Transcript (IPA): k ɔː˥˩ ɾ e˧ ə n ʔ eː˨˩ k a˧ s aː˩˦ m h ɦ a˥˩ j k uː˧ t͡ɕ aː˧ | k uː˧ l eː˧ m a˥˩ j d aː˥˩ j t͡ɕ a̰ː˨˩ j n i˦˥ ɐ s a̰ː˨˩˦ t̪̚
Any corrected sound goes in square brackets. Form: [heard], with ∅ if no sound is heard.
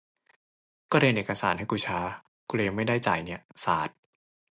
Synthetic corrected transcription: k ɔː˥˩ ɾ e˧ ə n ʔ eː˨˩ k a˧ s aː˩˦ [n] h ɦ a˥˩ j k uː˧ [t͡ɕʰ] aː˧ | k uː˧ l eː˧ m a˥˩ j d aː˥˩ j t͡ɕ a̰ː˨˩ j n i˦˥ ɐ s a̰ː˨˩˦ t̪̚